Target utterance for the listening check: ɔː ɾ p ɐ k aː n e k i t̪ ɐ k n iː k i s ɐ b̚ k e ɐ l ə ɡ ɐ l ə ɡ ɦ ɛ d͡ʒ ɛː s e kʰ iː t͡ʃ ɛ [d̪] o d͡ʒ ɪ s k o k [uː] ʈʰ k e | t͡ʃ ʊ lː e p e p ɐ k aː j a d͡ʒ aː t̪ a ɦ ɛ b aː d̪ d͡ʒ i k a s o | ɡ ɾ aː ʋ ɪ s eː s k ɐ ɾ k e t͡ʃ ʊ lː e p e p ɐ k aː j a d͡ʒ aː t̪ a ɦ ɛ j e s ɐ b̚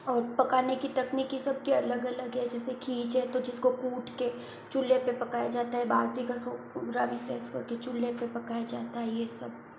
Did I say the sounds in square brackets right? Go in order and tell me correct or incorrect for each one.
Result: incorrect: t̪, correct

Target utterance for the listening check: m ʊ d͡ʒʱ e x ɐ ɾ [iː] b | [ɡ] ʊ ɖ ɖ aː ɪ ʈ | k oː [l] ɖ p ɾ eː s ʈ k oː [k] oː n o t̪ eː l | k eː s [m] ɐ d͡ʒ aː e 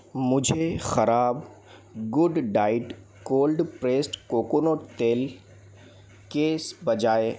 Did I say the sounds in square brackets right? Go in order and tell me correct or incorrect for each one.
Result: incorrect: aː, correct, correct, correct, incorrect: b

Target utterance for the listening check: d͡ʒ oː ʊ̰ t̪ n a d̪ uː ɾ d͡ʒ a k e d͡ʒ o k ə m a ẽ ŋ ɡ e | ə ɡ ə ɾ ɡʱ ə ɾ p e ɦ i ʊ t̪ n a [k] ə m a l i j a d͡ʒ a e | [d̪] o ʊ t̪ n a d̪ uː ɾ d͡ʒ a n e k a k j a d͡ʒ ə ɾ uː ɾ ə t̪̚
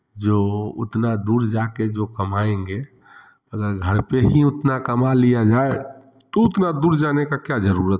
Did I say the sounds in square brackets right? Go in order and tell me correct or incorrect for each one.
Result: correct, incorrect: t̪

